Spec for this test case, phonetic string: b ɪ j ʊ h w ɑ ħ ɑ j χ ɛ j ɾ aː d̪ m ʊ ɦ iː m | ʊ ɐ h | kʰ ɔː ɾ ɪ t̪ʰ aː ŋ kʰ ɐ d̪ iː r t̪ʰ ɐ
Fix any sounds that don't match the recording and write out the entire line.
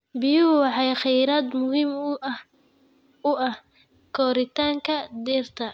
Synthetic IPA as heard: b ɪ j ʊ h w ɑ ħ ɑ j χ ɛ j ɾ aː d̪ m ʊ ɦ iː m | ʊ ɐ h | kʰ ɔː ɾ ɪ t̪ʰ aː ŋ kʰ ɐ d̪ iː r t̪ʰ ɐ